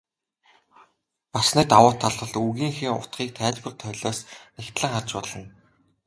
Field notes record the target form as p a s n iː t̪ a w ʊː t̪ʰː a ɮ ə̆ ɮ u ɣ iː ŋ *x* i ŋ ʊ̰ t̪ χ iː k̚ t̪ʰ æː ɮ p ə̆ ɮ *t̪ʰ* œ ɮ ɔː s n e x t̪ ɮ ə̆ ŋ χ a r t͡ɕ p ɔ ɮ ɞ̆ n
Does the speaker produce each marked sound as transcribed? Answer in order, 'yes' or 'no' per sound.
yes, yes

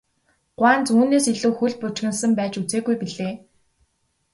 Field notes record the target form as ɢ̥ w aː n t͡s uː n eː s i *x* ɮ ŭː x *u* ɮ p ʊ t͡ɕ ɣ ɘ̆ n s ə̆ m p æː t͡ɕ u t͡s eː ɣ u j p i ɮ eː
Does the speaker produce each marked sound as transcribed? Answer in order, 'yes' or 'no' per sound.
no, yes

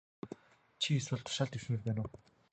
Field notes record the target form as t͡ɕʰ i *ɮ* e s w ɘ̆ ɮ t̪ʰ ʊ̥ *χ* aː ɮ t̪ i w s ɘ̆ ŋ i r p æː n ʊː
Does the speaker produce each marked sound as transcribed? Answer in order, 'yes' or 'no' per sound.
no, no

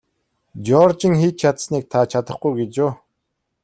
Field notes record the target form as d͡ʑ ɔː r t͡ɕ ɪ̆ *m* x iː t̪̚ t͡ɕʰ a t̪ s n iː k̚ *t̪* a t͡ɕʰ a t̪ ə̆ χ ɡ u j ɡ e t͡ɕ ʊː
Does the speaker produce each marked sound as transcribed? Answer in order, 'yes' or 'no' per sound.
no, no

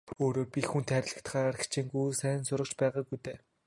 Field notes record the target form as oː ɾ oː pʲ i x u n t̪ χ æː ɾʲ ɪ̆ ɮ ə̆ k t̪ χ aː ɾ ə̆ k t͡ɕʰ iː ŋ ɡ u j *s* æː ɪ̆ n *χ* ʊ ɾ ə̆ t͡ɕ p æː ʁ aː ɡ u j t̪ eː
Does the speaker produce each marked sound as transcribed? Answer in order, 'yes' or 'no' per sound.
yes, no

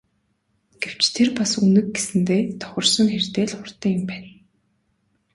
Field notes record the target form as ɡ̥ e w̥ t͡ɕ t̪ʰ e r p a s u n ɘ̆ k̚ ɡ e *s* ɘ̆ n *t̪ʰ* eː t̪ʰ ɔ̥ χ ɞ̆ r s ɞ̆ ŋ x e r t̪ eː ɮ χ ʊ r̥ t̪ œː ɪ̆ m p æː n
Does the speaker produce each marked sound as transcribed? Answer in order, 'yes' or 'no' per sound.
yes, no

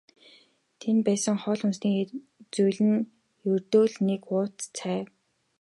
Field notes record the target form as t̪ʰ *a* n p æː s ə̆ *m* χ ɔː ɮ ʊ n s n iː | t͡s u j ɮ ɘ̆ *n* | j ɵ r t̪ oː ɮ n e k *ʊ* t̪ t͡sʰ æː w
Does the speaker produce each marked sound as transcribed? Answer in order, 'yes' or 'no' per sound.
no, no, yes, no

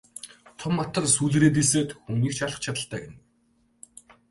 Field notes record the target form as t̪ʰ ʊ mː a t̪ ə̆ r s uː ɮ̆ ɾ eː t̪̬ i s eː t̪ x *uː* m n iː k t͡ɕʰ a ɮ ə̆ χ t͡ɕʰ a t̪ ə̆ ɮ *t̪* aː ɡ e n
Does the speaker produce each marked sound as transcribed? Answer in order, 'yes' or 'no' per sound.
no, yes

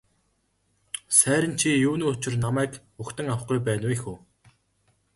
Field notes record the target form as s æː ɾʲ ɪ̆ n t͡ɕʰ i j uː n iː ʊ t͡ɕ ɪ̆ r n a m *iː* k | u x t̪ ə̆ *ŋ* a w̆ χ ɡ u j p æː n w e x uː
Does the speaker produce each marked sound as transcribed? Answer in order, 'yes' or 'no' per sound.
no, yes

